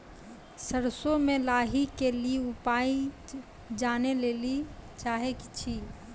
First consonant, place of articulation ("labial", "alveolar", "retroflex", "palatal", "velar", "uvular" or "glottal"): alveolar